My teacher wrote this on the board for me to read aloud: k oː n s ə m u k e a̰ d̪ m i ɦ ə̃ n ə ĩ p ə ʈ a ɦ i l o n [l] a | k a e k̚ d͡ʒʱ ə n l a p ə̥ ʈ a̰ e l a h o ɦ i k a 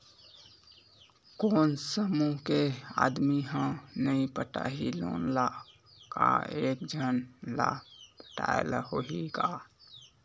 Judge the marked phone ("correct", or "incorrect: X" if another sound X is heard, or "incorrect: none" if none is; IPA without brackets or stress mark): correct